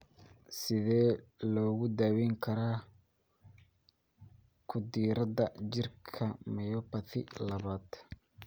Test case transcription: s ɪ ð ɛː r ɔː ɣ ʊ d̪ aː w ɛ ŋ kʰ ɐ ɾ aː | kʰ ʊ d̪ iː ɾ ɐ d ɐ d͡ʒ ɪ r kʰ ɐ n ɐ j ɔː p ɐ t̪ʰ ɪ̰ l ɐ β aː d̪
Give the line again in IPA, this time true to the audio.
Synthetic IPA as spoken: s ɪ ð ɛː l ɔː ɣ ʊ d̪ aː w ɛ ŋ kʰ ɐ ɾ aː | kʰ ʊ d̪ iː ɾ ɐ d ɐ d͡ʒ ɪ r kʰ ɐ m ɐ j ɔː p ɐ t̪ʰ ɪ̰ l ɐ β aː d̪